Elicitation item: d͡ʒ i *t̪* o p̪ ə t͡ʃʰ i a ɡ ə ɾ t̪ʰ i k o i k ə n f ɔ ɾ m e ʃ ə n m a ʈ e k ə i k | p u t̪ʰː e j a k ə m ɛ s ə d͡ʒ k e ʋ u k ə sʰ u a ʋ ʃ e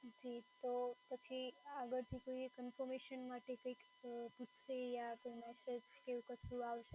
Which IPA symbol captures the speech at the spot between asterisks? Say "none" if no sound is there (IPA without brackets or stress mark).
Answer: t̪